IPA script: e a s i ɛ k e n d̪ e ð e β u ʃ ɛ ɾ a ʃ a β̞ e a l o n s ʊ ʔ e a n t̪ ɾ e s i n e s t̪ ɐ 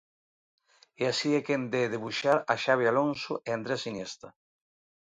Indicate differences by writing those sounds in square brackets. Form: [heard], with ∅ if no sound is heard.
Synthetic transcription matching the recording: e a s i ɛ k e n d̪ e ð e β u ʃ [a] ɾ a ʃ a β̞ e a l o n s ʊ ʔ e a n [d̪] ɾ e s i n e s t̪ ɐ